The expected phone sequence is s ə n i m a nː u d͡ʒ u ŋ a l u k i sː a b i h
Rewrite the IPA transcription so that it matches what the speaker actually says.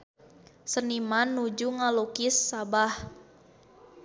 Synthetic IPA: s ə n i m a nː u d͡ʒ u ŋ a l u k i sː a b a h